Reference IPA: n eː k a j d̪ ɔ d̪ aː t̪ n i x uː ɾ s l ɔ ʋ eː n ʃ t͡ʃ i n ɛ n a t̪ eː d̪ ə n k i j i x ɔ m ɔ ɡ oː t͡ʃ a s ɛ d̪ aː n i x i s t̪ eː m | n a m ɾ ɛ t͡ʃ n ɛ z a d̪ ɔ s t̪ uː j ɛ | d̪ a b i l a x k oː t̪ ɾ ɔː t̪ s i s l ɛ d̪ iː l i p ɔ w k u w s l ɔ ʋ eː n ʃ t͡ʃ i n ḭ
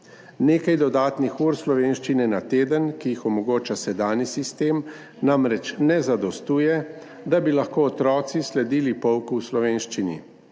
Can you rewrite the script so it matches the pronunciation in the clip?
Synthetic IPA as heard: n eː k a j d̪ ɔ d̪ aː t̪ n i x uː ɾ s l ɔ ʋ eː n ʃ t͡ʃ i n ɛ n a t̪ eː d̪ ə n k i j i x ɔ m ɔ ɡ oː t͡ʃ a s ɛ d̪ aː n i s i s t̪ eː m | n a m ɾ ɛ t͡ʃ n ɛ z a d̪ ɔ s t̪ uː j ɛ | d̪ a b i l a x k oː t̪ ɾ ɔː t̪ s i s l ɛ d̪ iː l i p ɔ w k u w s l ɔ ʋ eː n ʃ t͡ʃ i n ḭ